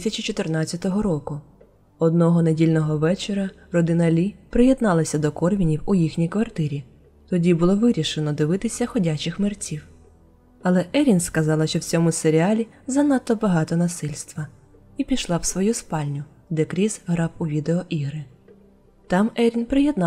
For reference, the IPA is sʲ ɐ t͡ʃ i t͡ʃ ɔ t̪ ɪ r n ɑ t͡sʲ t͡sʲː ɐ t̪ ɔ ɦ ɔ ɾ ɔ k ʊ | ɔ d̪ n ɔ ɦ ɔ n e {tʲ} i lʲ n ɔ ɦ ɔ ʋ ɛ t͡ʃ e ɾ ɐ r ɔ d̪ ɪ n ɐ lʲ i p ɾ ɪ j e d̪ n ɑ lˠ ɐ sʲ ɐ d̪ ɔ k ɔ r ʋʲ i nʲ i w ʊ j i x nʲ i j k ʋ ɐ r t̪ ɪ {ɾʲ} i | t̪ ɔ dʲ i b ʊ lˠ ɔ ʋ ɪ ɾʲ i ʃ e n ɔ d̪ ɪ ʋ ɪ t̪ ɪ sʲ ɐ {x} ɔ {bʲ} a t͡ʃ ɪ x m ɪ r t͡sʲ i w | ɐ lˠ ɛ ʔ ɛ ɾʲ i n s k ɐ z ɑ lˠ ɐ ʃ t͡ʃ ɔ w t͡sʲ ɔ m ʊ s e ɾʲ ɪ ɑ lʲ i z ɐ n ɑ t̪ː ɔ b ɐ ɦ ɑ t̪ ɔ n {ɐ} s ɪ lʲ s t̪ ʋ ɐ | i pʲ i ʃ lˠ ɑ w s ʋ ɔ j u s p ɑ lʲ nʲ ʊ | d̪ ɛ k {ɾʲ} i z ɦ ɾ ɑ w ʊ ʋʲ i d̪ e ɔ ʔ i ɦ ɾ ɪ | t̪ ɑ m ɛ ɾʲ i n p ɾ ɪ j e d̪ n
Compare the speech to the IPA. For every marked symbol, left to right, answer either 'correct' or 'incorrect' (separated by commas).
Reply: incorrect, correct, correct, incorrect, correct, correct